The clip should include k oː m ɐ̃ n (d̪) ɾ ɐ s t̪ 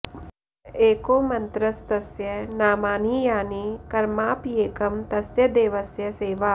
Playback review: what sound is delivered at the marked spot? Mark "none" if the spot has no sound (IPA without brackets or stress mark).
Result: t̪